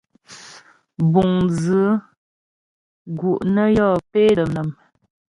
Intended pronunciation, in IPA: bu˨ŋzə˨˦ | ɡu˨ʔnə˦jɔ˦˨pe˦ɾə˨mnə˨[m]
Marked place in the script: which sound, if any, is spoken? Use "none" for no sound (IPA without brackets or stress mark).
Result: m